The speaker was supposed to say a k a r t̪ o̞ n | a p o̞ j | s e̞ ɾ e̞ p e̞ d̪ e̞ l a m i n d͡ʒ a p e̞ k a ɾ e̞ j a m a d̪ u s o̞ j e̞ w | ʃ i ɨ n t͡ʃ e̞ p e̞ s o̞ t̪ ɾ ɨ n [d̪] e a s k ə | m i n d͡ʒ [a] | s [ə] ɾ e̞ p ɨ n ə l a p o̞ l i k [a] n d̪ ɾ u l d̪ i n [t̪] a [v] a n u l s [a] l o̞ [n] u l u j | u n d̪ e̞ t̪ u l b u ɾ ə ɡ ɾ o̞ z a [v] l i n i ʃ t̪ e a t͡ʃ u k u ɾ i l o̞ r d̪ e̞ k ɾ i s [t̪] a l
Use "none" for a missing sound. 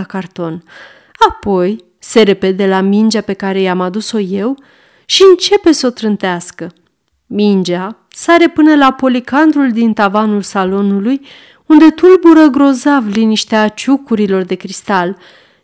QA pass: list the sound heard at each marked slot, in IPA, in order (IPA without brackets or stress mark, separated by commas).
t̪, a, a, a, t̪, v, a, n, v, t̪